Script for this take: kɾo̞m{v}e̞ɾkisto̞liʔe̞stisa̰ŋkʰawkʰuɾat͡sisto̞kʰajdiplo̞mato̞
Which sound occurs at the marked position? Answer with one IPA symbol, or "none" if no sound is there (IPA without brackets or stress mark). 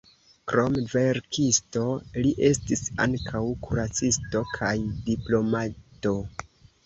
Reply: v